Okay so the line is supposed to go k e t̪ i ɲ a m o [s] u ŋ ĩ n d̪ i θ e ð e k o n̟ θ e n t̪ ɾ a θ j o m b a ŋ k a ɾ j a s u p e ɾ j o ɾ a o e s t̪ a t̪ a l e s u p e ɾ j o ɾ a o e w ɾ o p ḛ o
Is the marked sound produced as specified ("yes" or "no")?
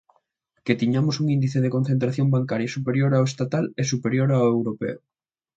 yes